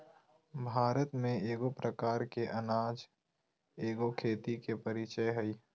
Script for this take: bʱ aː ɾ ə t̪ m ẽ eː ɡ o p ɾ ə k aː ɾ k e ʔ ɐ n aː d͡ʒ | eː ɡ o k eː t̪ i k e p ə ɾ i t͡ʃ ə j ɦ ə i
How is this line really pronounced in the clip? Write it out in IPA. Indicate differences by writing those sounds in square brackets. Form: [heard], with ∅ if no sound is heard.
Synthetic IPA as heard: bʱ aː ɾ ə t̪ m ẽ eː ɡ o p ɾ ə k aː ɾ k e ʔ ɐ n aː d͡ʒ | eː ɡ o [kʰ] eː t̪ i k e p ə ɾ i t͡ʃ ə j ɦ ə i